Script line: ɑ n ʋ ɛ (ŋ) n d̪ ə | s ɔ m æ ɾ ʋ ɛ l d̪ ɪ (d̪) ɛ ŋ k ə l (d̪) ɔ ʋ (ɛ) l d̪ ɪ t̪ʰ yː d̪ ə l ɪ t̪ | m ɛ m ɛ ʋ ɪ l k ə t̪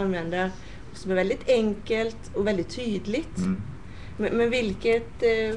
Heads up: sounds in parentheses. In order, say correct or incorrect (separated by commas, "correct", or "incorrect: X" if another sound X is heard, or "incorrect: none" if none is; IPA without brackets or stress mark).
incorrect: none, incorrect: t̪, incorrect: t̪, correct